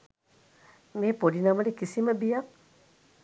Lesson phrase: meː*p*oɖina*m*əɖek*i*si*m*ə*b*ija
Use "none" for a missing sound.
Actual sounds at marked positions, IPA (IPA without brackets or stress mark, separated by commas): p, m, i, m, b